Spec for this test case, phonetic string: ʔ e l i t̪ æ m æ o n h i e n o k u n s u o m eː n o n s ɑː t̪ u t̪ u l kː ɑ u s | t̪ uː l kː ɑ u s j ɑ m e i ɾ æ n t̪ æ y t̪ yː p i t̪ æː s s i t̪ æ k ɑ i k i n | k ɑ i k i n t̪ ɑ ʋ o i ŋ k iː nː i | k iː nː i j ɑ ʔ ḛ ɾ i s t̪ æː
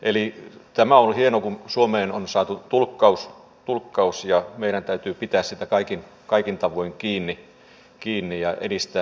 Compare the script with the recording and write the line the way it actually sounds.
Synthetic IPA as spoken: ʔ e l i t̪ æ m æ o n h i e n o k u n s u o m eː n o n s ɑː t̪ u t̪ u l kː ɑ u s | t̪ u l kː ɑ u s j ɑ m e i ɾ æ n t̪ æ y t̪ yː p i t̪ æː s s i t̪ æ k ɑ i k i n | k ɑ i k i n t̪ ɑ ʋ o i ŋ k iː nː i | k iː nː i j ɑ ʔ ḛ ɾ i s t̪ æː